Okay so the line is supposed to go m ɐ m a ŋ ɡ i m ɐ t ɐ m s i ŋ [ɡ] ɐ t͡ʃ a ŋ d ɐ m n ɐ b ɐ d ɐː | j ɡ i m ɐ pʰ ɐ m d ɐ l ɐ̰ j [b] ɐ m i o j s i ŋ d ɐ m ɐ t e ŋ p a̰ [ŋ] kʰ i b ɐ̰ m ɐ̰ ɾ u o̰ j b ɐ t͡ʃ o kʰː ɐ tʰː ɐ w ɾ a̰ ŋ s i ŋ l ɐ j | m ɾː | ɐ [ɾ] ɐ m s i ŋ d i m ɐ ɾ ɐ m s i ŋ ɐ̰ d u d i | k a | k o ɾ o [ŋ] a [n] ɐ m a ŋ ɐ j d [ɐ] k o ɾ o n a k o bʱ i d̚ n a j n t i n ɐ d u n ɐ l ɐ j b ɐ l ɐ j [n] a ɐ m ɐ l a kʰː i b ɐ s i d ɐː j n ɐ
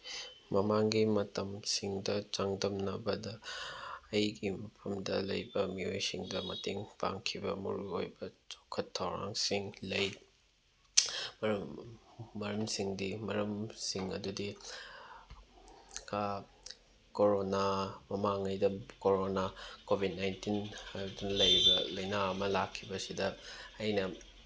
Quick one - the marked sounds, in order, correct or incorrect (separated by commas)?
incorrect, correct, correct, correct, incorrect, incorrect, correct, correct